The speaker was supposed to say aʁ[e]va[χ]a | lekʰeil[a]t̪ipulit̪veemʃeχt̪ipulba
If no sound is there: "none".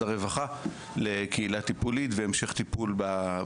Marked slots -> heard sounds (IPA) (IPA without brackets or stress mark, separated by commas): e, χ, a